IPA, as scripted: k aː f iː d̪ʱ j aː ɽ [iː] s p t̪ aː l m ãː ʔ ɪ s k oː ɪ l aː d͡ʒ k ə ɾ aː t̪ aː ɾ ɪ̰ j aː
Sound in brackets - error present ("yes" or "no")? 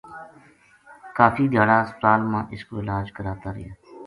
yes